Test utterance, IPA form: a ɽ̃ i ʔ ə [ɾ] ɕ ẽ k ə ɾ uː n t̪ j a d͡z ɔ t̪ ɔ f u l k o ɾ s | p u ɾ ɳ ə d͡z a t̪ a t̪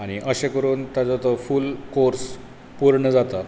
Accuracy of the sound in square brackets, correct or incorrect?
incorrect